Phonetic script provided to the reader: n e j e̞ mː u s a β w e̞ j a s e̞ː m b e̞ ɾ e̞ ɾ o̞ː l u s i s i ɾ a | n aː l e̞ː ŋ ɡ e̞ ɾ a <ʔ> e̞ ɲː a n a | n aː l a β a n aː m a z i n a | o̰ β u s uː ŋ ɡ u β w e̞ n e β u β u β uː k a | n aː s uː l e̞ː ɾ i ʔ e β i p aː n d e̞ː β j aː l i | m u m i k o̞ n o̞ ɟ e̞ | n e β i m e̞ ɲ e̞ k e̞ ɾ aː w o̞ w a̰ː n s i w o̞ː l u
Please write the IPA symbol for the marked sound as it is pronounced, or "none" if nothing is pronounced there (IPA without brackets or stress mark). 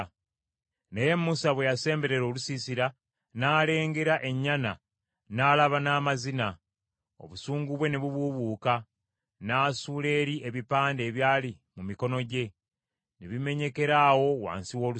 ʔ